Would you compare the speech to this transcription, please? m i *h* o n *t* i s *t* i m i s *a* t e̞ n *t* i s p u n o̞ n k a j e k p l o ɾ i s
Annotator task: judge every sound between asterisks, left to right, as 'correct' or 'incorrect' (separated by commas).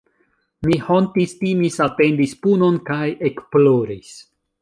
correct, correct, correct, correct, incorrect